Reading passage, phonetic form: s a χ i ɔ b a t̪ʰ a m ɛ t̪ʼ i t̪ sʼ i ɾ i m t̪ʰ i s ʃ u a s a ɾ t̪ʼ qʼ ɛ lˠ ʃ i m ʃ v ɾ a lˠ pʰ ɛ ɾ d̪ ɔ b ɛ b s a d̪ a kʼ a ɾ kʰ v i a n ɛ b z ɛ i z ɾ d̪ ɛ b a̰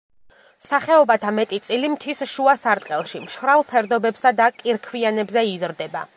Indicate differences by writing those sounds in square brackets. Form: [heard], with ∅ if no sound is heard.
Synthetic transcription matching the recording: s a χ [ɛ] ɔ b a t̪ʰ a m ɛ t̪ʼ i t̪ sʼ i [l] i m t̪ʰ i s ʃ u a s a ɾ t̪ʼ qʼ ɛ lˠ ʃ i m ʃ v ɾ a lˠ pʰ ɛ ɾ d̪ ɔ b ɛ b s a d̪ a kʼ [i] ɾ kʰ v i a n ɛ b z ɛ i z ɾ d̪ ɛ b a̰